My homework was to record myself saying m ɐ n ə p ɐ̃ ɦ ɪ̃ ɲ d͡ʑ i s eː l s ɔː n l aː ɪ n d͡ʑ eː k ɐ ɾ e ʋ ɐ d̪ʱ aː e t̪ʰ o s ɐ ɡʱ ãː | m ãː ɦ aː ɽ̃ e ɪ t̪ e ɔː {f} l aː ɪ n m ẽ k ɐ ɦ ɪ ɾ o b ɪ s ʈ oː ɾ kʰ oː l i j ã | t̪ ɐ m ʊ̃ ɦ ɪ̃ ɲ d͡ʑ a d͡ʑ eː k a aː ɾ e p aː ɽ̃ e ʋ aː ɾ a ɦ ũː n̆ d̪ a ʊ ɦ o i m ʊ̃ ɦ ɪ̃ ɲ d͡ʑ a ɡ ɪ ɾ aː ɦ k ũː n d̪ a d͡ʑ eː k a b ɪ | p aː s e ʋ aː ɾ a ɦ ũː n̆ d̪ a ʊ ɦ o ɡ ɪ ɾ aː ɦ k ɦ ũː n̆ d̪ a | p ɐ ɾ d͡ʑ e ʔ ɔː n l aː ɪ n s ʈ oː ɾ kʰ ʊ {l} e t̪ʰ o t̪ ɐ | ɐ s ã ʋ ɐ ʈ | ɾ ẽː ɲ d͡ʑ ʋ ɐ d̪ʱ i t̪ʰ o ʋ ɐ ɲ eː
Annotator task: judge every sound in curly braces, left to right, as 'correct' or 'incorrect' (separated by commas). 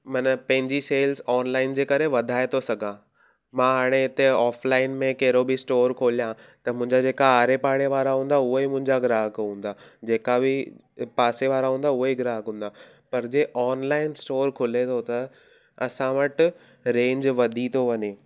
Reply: correct, correct